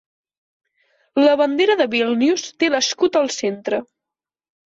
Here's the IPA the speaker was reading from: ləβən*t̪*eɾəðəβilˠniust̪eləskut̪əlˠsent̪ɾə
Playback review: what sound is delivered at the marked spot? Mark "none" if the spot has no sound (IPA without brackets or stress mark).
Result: d̪